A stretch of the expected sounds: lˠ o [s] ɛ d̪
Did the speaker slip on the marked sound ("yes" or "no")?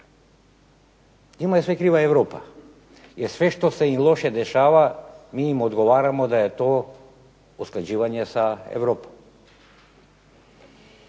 yes